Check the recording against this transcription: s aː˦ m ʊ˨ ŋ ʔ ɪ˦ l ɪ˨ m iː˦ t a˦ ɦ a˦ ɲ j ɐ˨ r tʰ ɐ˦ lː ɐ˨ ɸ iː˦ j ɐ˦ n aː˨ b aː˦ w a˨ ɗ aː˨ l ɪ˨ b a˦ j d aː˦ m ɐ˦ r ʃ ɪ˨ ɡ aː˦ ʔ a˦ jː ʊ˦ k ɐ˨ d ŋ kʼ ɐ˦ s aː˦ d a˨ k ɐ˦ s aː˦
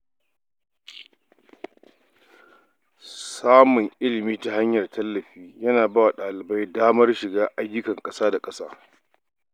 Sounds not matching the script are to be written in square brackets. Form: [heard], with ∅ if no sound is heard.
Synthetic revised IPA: s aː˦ m ʊ˨ ŋ ʔ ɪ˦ l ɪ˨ m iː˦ t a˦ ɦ a˦ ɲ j ɐ˨ r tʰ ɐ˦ lː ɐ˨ ɸ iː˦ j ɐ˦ n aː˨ b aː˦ w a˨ ɗ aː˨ l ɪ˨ b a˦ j d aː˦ m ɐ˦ r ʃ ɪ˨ ɡ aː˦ ʔ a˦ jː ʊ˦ k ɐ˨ [∅] ŋ kʼ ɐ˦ s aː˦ d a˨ [kʼ] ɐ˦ s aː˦

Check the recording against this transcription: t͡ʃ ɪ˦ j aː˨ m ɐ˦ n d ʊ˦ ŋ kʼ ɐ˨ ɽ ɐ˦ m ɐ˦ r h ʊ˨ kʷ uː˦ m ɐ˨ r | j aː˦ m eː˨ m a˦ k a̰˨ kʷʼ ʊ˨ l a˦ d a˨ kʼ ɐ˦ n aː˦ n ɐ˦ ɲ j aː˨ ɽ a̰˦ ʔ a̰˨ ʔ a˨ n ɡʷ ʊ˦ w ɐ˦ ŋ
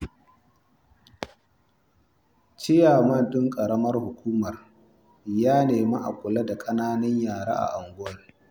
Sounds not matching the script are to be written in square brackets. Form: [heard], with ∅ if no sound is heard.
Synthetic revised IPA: t͡ʃ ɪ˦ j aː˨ m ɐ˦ n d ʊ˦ ŋ kʼ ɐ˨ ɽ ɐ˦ m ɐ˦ r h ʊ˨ kʷ uː˦ m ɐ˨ r | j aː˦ [n] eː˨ m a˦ [ʔ] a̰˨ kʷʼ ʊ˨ l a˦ d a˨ kʼ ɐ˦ n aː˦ n ɐ˦ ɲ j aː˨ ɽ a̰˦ ʔ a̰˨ ʔ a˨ [ŋ] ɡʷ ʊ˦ w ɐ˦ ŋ

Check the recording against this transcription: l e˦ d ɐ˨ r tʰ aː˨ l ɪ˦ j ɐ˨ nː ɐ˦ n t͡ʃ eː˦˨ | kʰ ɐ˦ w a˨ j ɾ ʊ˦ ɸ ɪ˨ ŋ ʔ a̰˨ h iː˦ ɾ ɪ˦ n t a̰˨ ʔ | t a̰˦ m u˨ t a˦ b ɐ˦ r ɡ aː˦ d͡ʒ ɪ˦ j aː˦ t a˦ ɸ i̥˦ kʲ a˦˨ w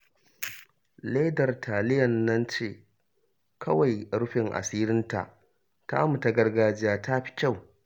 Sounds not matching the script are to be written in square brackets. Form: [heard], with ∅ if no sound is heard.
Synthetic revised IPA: l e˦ d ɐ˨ r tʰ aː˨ l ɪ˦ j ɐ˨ nː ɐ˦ n t͡ʃ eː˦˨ | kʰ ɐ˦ w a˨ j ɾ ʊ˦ ɸ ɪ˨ ŋ ʔ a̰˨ [s] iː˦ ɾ ɪ˦ n t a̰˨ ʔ | t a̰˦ m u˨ t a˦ [ɡ] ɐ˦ r ɡ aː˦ d͡ʒ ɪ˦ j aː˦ t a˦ ɸ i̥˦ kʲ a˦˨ w

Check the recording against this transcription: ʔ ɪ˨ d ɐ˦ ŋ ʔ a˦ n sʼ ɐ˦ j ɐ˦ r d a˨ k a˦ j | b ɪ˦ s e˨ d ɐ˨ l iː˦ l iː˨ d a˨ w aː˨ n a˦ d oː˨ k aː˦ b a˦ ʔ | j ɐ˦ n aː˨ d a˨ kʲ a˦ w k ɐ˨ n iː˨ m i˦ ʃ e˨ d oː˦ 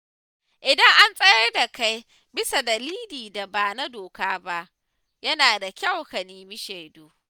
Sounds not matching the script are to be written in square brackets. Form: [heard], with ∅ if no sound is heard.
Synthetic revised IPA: ʔ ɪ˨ d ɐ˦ ŋ ʔ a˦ n sʼ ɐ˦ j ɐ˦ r d a˨ k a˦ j | b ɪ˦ s [a˨] d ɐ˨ l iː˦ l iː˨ d a˨ [b] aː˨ n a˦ d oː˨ k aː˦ b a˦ ʔ | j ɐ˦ n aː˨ d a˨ kʲ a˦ w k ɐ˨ n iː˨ m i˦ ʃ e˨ d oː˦

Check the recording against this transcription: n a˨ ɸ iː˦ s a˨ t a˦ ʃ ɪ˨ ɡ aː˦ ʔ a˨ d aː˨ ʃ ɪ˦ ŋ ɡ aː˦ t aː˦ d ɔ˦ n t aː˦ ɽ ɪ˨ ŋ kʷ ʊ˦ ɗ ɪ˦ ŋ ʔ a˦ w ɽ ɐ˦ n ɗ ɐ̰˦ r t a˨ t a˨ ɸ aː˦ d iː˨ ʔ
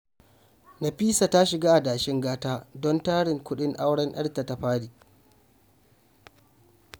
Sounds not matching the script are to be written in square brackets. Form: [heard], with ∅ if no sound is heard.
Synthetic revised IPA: n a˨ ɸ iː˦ s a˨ t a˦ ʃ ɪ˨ ɡ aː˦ ʔ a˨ d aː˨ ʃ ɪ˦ ŋ ɡ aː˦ t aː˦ d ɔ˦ n t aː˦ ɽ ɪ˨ ŋ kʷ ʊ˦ ɗ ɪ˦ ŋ ʔ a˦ w ɽ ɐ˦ n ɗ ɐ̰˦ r t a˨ t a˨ ɸ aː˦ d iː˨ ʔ

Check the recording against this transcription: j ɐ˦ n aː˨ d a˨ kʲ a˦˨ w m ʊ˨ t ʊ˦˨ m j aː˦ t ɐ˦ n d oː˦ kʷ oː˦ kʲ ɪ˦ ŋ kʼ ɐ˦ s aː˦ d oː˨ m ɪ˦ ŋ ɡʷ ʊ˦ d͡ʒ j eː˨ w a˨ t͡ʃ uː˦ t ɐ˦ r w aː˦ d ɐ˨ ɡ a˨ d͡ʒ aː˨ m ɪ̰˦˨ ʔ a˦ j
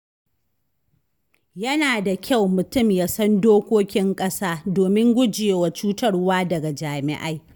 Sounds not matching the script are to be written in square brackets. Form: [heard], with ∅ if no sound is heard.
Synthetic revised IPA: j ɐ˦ n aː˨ d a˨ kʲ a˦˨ w m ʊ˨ t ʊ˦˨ m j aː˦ [s] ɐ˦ n d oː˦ kʷ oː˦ kʲ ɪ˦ ŋ kʼ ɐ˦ s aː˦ d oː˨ m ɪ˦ ŋ ɡʷ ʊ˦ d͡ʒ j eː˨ w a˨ t͡ʃ uː˦ t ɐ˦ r w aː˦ d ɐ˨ ɡ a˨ d͡ʒ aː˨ m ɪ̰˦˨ ʔ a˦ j

